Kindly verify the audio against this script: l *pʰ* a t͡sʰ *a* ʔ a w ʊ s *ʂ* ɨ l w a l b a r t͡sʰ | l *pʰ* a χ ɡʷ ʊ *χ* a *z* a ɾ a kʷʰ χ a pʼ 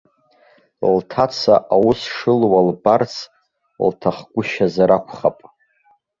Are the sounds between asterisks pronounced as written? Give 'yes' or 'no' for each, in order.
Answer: no, yes, yes, no, no, yes

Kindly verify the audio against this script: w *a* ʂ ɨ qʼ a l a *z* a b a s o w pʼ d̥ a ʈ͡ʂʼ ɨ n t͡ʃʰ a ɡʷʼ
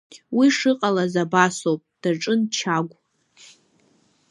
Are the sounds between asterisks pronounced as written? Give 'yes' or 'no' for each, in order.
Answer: no, yes

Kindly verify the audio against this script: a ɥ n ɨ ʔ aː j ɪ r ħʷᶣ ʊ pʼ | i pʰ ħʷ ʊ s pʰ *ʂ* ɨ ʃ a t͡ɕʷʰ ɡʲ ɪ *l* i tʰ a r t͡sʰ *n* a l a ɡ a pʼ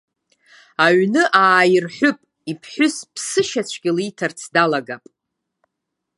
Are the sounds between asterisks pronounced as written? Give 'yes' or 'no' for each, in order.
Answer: no, yes, no

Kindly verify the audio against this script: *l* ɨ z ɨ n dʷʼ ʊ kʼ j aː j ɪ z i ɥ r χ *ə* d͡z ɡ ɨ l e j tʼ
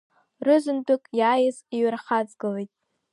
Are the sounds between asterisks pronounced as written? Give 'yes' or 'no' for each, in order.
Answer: no, no

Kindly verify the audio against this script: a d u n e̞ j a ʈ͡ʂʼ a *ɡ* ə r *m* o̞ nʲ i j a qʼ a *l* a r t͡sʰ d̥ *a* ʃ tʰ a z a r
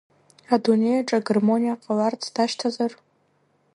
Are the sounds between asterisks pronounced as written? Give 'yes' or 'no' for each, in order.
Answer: yes, yes, yes, yes

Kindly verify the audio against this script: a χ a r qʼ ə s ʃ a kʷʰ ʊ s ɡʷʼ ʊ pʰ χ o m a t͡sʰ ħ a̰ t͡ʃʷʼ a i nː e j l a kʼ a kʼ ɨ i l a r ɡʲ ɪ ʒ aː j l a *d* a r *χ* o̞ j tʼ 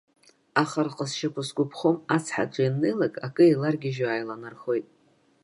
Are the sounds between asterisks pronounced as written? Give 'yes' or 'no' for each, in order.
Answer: no, yes

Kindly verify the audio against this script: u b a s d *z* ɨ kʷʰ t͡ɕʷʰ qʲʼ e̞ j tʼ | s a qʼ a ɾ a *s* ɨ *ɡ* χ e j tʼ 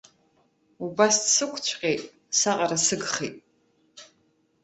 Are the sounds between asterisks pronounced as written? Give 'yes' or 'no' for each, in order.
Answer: no, yes, yes

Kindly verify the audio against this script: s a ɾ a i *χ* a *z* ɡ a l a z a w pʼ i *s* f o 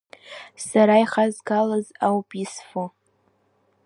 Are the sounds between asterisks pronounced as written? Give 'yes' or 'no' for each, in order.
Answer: yes, yes, yes

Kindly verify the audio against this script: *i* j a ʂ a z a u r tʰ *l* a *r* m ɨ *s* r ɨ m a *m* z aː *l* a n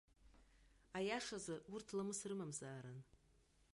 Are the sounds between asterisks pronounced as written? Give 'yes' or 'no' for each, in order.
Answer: no, yes, no, yes, yes, no

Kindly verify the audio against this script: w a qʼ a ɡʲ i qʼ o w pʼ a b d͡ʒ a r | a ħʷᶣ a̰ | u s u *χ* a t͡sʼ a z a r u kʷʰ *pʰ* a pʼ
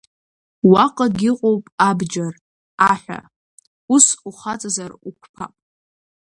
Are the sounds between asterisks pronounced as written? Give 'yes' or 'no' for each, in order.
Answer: yes, yes

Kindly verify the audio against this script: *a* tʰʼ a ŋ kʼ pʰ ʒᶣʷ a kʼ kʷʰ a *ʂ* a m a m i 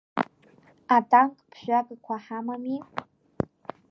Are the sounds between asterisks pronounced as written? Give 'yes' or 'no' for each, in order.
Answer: yes, no

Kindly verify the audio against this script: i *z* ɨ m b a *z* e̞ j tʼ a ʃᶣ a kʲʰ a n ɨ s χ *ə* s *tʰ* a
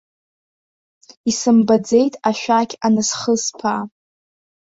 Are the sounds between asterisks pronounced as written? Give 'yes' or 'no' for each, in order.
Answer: no, no, yes, no

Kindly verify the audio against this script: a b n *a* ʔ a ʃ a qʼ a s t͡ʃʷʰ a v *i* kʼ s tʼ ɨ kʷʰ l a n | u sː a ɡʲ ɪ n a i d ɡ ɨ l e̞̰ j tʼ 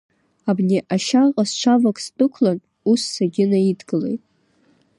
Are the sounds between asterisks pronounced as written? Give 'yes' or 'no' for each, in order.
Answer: no, no

